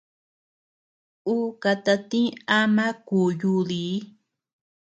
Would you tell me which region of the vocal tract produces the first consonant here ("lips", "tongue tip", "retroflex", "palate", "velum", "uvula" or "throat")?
velum